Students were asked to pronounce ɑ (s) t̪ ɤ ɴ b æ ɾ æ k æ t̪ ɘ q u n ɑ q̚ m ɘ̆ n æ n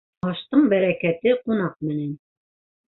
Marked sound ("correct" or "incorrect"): incorrect